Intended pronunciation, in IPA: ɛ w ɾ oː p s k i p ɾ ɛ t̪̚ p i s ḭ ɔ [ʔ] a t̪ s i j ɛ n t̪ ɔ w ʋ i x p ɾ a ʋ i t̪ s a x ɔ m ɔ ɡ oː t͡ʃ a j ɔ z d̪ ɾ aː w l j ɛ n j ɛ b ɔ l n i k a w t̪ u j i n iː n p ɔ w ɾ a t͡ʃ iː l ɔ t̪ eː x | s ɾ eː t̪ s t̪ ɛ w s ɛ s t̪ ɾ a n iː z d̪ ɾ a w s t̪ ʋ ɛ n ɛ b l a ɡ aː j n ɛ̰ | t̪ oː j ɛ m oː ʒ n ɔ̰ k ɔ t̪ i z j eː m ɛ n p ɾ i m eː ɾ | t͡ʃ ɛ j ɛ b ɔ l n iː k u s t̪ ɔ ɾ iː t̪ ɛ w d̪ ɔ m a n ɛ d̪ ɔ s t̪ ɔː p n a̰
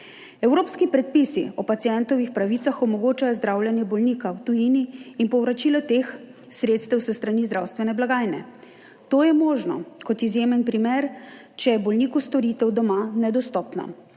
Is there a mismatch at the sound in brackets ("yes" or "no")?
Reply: yes